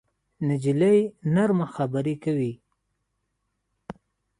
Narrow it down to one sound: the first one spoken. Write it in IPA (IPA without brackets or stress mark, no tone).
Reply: n